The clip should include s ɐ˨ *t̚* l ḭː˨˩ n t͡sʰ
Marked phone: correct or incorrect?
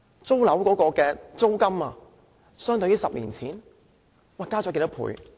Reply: incorrect